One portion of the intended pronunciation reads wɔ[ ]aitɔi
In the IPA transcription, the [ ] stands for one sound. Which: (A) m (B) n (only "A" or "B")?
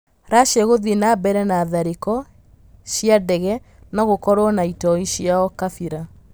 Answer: B